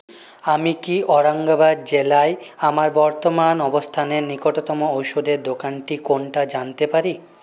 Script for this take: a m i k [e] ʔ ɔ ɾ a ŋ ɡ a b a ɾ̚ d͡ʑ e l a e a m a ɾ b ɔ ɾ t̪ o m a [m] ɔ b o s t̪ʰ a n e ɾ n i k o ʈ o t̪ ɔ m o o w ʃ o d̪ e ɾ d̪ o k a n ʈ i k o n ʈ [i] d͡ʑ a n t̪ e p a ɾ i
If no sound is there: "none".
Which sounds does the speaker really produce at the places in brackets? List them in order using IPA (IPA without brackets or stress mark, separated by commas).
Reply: i, n, a